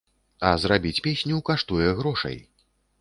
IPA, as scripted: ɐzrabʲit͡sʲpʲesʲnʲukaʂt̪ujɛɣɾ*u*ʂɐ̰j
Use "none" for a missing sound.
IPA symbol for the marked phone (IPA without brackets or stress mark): ɔ